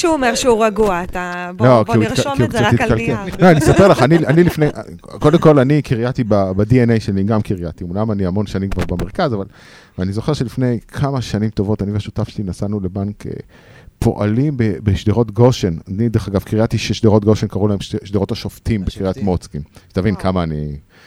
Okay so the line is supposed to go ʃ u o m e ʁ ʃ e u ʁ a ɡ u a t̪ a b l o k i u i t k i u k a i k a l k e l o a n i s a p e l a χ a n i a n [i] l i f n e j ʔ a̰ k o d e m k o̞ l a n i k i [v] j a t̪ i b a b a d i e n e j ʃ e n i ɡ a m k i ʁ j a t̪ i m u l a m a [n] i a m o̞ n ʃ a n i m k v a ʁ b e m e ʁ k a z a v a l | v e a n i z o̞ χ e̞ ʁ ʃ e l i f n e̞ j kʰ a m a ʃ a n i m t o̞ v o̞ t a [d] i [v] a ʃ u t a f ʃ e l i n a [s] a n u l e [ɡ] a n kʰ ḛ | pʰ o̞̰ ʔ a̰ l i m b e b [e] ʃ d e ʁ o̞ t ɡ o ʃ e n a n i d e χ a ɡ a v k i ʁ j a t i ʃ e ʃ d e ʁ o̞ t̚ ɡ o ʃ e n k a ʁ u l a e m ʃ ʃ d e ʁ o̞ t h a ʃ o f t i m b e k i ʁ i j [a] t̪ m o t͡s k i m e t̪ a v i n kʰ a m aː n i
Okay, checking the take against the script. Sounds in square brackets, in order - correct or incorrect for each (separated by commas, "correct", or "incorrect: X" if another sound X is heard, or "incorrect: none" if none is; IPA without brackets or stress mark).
correct, incorrect: ʁ, correct, incorrect: n, correct, correct, incorrect: b, correct, correct